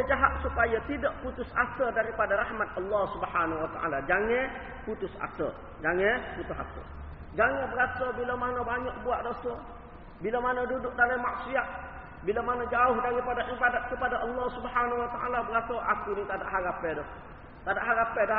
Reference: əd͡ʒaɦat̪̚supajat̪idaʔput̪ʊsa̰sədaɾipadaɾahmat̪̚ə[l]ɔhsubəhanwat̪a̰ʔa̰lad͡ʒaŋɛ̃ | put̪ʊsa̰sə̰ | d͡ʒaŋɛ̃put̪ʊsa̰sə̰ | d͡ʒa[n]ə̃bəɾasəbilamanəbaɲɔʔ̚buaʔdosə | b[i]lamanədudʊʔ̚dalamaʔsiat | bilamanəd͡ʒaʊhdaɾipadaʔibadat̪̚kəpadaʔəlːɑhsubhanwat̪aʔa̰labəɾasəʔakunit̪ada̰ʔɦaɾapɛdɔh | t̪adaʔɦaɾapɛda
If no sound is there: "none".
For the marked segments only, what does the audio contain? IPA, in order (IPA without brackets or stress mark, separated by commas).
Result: lː, ŋ, i